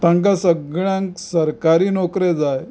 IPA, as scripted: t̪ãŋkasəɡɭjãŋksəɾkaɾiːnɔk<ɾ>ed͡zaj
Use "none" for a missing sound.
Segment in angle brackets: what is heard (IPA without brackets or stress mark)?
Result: ɾ